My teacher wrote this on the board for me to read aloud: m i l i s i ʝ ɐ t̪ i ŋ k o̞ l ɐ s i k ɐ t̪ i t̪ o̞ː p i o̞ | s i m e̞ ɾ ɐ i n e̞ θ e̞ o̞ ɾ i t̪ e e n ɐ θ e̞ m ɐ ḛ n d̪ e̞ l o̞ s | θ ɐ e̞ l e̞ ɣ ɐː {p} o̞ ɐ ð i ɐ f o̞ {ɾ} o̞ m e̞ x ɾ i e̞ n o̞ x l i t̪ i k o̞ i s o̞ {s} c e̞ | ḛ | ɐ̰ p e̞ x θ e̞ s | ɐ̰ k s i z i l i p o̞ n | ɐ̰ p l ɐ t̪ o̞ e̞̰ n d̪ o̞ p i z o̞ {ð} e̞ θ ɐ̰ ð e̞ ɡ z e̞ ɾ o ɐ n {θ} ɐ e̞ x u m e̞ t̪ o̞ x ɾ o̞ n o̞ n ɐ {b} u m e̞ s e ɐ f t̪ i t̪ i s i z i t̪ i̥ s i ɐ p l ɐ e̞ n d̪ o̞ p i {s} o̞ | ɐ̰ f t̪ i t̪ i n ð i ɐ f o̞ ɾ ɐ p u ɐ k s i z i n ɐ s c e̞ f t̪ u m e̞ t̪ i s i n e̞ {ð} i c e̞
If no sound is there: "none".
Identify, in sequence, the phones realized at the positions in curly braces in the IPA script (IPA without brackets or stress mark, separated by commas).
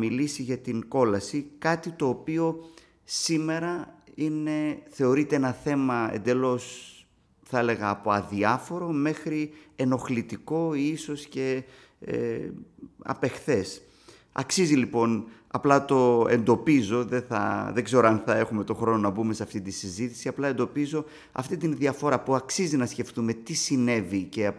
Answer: p, ɾ, s, ð, θ, b, z, v